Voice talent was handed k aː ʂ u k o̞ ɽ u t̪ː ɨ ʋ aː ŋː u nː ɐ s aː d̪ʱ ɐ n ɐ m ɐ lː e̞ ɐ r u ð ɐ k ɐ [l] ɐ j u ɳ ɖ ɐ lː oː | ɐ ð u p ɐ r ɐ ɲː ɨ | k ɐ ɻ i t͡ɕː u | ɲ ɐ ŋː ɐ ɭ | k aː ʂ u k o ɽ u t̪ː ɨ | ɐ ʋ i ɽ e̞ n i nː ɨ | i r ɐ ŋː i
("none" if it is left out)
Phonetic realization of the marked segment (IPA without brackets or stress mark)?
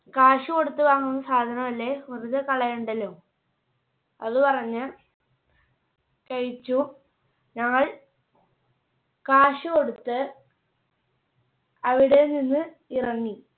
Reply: ɭ